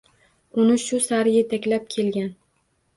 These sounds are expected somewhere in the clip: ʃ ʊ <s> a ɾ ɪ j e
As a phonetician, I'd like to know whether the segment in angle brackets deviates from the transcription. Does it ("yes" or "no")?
no